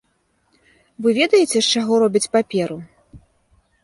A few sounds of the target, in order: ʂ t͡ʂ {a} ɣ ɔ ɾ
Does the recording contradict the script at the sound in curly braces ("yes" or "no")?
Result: no